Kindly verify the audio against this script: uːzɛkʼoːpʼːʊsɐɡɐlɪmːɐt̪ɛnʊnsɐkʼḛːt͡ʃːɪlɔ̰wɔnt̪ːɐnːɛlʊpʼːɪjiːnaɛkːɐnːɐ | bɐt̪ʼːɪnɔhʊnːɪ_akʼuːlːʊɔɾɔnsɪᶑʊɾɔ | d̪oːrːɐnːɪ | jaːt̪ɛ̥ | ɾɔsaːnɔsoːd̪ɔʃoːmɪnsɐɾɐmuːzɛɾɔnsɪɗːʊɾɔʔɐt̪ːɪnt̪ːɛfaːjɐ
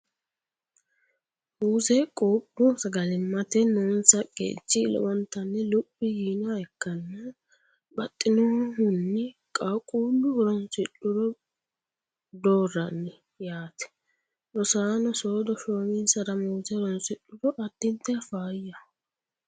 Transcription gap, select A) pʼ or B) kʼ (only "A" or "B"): B